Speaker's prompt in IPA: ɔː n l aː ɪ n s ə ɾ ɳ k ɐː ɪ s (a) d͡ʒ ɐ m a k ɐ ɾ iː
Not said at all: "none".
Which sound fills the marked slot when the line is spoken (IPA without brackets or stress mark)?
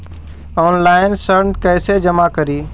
e